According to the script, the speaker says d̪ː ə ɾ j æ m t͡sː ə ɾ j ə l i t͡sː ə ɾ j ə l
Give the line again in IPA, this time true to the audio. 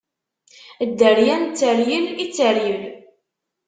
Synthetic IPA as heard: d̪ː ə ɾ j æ n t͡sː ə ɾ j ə l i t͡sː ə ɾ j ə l